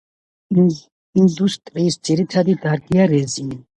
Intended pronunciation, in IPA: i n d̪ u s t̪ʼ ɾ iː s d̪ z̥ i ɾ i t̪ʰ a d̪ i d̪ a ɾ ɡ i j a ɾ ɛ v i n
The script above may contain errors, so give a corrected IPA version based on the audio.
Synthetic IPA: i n d̪ u s t̪ʼ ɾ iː s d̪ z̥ i ɾ i t̪ʰ a d̪ i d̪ a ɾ ɡ i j a ɾ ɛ z i n